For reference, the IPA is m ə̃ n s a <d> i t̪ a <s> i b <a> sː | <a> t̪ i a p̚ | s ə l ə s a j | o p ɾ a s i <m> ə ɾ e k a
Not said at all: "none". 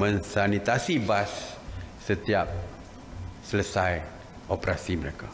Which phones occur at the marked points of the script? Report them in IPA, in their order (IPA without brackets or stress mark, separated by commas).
n, s, a, ə, m